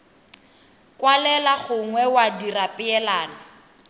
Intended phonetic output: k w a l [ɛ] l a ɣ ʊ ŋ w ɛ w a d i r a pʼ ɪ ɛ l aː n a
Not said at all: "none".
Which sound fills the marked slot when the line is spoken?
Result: ɛ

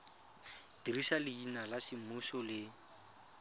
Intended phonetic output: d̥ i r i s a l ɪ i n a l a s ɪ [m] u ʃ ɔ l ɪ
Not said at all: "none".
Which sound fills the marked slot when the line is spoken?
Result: m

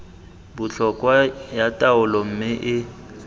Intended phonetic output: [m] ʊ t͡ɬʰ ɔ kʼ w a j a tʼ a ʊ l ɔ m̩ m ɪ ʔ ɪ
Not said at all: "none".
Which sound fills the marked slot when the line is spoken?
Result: b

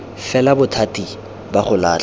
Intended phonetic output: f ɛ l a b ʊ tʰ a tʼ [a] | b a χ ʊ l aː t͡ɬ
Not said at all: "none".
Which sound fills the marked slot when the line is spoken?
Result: i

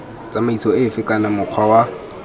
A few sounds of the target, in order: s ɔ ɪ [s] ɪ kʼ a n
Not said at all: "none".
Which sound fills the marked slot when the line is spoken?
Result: f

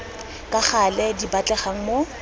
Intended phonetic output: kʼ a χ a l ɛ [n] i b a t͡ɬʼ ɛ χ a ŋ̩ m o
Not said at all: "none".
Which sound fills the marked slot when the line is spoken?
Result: d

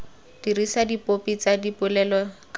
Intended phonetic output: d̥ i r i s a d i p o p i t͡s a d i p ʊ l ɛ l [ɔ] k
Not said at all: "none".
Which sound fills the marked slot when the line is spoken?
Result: ɔ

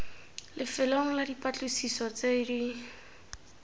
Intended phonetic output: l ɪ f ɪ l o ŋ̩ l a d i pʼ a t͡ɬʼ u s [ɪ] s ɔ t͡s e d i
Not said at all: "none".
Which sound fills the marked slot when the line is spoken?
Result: i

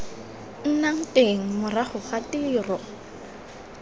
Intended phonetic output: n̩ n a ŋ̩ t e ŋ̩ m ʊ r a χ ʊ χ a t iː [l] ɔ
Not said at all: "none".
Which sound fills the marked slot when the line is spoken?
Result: r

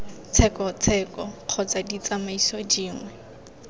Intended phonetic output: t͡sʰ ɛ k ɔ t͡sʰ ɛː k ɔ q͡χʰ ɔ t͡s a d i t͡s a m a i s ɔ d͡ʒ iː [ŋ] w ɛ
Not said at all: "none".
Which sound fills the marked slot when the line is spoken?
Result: ŋ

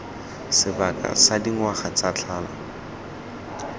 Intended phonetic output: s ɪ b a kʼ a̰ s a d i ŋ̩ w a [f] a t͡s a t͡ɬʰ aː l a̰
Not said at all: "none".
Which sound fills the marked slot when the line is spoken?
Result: χ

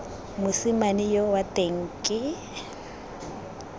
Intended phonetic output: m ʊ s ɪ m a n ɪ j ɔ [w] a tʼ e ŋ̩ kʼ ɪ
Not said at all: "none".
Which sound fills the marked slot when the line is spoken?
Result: w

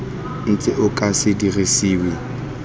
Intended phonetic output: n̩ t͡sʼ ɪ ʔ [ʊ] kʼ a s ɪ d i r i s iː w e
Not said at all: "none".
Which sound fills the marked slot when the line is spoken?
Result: ʊ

